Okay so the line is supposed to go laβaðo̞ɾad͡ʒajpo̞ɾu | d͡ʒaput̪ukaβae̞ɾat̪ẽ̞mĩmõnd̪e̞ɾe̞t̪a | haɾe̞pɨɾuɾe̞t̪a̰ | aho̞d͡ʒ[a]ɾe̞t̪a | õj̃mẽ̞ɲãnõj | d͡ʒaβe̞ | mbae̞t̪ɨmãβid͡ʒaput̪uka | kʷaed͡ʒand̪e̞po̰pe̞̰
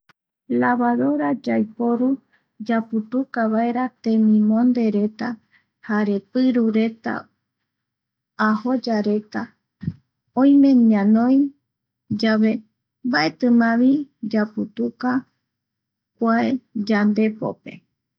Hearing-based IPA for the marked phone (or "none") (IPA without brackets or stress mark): a